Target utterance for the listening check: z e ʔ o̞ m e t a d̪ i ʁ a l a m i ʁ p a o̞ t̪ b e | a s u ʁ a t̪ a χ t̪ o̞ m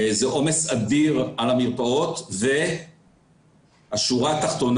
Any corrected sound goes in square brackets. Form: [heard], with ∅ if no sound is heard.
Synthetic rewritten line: z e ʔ o̞ m e [s] a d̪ i ʁ a l a m i ʁ p a o̞ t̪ [v] e | a [ʃ] u ʁ a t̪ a χ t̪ o̞ [n]